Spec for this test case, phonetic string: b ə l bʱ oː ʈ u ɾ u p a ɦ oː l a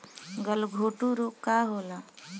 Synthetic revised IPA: ɡ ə l ɡʱ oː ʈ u ɾ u k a ɦ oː l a